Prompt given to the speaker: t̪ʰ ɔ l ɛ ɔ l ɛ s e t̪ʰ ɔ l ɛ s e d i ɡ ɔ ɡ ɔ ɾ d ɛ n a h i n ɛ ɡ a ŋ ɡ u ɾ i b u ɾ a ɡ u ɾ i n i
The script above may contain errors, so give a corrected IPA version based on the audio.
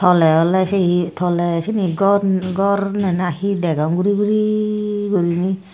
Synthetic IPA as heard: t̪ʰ ɔ l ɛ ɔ l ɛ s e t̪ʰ ɔ l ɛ s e n i ɡ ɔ ɡ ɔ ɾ n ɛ n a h i d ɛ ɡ a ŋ ɡ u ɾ i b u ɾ i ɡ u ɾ i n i